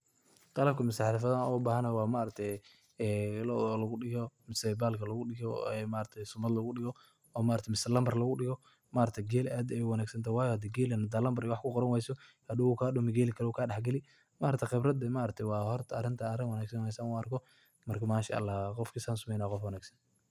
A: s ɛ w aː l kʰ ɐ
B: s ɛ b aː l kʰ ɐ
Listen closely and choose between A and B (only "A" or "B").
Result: B